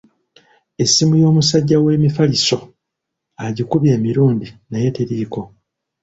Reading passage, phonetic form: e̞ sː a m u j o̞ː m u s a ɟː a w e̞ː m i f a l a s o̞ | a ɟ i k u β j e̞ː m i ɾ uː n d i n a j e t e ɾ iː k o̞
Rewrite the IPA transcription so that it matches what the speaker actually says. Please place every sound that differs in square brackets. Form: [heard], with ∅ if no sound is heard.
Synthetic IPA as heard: e̞ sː [i] m u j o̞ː m u s a ɟː a w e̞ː m i f a l [i] s o̞ | a ɟ i k u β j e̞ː m i ɾ uː n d i n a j e t e ɾ iː k o̞